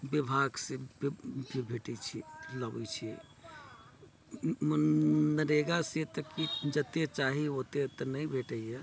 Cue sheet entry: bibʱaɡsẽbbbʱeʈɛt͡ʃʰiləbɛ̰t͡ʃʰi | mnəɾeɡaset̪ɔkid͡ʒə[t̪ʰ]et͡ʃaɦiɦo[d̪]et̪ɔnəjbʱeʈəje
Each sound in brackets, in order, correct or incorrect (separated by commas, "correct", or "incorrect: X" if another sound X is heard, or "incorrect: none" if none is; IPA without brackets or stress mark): incorrect: t̪, incorrect: t̪